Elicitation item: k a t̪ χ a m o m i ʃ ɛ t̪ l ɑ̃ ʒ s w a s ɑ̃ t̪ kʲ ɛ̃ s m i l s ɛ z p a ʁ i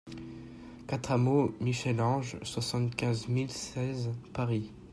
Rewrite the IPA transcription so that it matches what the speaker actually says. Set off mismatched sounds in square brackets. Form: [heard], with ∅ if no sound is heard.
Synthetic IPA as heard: k a t̪ χ a m o m i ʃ ɛ [∅] l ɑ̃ ʒ s w a s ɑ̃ t̪ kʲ ɛ̃ [z] m i l s ɛ z p a ʁ i

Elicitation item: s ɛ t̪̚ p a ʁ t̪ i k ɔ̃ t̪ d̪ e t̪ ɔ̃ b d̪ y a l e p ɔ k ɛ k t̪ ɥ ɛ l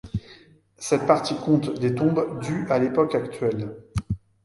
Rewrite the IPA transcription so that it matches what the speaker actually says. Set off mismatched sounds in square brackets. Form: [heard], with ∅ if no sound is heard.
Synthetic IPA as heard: s ɛ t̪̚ p a ʁ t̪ i k ɔ̃ t̪ d̪ e t̪ ɔ̃ b d̪ y a l e p ɔ k [a] k t̪ ɥ ɛ l

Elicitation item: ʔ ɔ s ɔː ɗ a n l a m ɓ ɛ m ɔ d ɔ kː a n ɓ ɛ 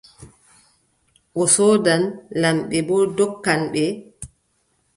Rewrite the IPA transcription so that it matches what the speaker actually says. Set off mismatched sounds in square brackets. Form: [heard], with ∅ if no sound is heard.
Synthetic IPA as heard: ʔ ɔ s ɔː [d] a n l a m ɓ ɛ [b] ɔ d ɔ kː a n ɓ ɛ

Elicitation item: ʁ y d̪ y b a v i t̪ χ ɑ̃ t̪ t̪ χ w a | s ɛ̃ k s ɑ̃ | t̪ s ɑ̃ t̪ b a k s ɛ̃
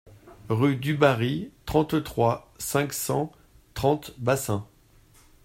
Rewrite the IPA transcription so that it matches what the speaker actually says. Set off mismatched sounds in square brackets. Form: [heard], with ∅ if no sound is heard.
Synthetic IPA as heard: ʁ y d̪ y b a [ʁ] i t̪ χ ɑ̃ t̪ t̪ χ w a | s ɛ̃ k s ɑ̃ | t̪ [χ] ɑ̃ t̪ b a [∅] s ɛ̃

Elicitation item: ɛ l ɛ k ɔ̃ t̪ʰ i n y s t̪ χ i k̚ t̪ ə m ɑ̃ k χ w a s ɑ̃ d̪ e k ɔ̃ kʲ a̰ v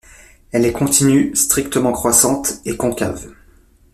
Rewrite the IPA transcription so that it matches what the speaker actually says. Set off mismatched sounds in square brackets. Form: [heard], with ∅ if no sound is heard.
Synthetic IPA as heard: ɛ l ɛ k ɔ̃ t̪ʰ i n y s t̪ χ i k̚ t̪ ə m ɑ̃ k χ w a s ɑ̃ [t̪] e k ɔ̃ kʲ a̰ v

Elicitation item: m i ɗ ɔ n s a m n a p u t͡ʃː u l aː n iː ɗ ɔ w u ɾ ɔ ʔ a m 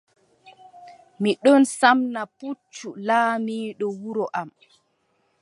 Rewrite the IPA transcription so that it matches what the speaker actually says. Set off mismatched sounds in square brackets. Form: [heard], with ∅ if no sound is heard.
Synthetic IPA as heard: m i ɗ ɔ n s a m n a p u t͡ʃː u l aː [m] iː ɗ ɔ w u ɾ ɔ ʔ a m

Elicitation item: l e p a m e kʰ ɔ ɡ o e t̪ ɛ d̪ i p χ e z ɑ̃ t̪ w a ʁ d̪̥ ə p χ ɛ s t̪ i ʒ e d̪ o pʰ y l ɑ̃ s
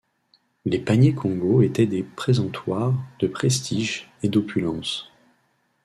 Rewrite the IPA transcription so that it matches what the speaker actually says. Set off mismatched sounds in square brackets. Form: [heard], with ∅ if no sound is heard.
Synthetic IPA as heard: l e p a [ɲ] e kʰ [ɔ̃] ɡ o e t̪ ɛ d̪ [e] p χ e z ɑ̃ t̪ w a ʁ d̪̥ ə p χ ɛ s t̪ i ʒ e d̪ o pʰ y l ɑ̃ s

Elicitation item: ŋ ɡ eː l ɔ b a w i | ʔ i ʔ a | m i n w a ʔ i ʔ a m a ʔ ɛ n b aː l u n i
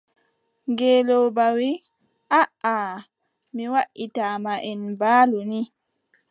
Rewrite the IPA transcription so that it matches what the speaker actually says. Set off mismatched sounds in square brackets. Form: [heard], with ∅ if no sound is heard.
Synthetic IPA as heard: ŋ ɡ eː l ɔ b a w i | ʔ [a] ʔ a | m i [∅] w a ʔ i [t] a m a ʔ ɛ n b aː l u n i

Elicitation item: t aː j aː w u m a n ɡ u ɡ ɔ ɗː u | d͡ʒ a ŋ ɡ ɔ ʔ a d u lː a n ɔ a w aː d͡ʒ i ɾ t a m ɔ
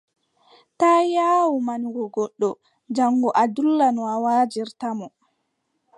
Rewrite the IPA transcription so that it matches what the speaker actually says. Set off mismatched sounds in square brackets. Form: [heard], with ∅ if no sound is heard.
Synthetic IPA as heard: t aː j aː w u m a n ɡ [ɔ] ɡ ɔ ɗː [ɔ] | d͡ʒ a ŋ ɡ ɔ ʔ a d u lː a n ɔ a w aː d͡ʒ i ɾ t a m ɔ

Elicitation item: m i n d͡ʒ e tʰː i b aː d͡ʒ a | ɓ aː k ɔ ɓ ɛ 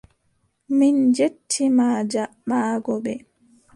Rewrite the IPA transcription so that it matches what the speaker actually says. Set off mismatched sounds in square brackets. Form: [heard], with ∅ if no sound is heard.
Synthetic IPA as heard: m i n d͡ʒ e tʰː i [m] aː d͡ʒ a | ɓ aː [ɡ] ɔ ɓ ɛ

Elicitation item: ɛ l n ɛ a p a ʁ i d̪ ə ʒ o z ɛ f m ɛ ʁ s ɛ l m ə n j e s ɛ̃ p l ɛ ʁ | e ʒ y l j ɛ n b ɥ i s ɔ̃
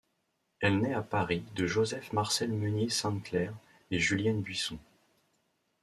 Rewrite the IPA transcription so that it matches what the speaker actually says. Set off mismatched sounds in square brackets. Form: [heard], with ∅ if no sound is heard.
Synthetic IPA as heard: ɛ l n ɛ a p a ʁ i d̪ ə ʒ o z ɛ f m [a] ʁ s ɛ l m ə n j e s ɛ̃ [k] l ɛ ʁ | e ʒ y l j ɛ n b ɥ i s ɔ̃

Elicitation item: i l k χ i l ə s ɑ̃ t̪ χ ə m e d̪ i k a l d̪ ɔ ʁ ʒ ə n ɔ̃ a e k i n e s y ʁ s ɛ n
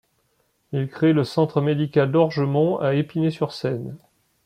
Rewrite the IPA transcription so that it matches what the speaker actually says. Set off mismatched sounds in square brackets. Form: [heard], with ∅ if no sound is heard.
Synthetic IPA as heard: i l k χ [e] l ə s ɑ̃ t̪ χ ə m e d̪ i k a l d̪ ɔ ʁ ʒ ə [m] ɔ̃ a e [p] i n e s y ʁ s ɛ n

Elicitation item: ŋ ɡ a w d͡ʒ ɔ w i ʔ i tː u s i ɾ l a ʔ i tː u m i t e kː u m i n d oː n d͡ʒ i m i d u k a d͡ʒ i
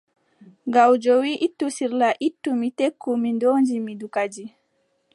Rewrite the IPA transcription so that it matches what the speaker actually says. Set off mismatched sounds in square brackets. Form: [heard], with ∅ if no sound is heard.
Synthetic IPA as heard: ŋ ɡ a w d͡ʒ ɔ w i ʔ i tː u s i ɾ l a ʔ i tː u m i t e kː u m i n d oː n d͡ʒ i m i d u k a d͡ʒ i

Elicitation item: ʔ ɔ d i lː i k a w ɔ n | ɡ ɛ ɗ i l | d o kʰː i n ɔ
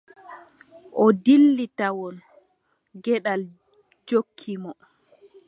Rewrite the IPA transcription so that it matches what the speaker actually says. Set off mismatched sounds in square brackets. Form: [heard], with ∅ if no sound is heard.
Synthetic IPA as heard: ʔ ɔ d i lː i [t] a w ɔ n | ɡ ɛ ɗ [a] l | [d͡ʒ] o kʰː i [m] ɔ

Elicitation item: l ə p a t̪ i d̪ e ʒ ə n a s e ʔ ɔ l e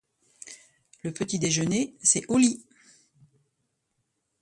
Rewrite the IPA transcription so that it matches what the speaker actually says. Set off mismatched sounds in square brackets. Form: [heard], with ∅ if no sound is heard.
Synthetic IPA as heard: l ə p [ə] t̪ i d̪ e ʒ ə n [e] s [ɛ] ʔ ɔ l [i]

